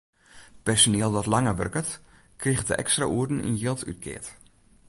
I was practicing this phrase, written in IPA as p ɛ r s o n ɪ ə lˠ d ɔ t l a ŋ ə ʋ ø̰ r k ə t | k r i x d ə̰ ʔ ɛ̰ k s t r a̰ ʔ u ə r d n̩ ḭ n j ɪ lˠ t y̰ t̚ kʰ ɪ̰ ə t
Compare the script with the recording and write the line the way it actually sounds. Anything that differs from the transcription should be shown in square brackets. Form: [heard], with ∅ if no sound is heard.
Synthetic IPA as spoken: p ɛ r s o n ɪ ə lˠ d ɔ t l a ŋ ə ʋ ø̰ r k ə t | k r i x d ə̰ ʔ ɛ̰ k s t r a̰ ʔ u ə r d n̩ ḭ n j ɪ lˠ t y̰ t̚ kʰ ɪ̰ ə t